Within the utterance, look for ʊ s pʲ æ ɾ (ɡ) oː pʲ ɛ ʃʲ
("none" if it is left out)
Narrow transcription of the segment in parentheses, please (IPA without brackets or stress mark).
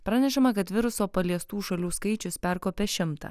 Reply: k